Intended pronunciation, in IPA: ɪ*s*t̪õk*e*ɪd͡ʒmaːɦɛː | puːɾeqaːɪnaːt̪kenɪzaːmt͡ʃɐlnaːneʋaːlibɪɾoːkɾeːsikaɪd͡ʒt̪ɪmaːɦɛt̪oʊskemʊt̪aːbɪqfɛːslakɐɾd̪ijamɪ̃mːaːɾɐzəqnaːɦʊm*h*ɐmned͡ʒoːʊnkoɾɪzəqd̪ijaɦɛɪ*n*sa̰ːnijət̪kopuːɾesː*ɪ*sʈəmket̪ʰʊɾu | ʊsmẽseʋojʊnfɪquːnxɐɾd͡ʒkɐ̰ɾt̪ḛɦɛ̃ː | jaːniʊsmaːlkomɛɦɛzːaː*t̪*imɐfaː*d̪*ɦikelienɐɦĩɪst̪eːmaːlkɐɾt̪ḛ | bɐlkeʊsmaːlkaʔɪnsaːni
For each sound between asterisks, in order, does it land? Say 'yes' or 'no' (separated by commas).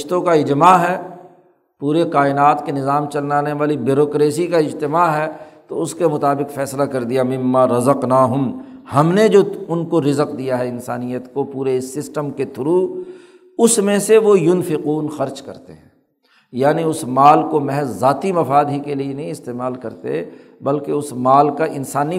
no, no, yes, yes, yes, yes, yes